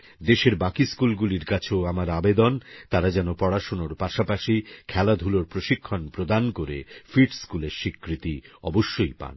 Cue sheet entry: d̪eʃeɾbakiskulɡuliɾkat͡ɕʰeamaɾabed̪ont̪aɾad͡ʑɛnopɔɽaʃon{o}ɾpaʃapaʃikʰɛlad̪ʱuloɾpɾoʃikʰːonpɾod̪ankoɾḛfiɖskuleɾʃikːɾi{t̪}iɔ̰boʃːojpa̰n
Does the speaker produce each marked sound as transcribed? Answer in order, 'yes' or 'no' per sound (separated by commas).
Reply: yes, yes